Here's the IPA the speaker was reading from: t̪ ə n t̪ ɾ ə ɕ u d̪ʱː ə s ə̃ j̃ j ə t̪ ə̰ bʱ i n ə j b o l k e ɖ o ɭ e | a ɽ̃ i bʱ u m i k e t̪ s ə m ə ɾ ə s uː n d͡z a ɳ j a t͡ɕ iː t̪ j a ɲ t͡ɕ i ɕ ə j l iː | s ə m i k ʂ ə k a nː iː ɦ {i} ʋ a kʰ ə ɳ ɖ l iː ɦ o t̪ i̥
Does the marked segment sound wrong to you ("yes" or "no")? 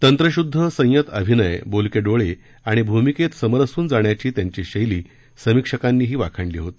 yes